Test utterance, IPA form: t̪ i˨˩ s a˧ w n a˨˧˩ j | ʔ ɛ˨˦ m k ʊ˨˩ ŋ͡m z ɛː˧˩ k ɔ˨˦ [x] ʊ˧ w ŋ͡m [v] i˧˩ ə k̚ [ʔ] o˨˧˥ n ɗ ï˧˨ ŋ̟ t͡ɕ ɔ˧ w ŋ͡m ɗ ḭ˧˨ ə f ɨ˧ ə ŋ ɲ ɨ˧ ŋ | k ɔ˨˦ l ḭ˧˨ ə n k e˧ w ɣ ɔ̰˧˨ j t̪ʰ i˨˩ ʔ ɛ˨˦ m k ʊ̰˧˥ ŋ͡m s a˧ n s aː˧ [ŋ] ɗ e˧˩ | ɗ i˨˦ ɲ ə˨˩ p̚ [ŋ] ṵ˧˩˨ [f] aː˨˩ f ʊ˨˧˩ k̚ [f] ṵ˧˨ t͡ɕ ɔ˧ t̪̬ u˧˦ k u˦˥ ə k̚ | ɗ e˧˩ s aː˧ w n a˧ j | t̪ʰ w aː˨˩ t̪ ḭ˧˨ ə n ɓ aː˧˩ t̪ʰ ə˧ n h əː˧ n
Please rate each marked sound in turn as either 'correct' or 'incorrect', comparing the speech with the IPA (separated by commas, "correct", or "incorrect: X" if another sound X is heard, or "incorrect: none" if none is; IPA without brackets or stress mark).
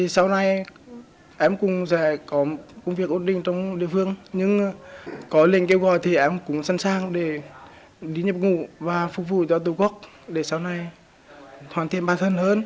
incorrect: k, correct, correct, correct, correct, incorrect: v, incorrect: v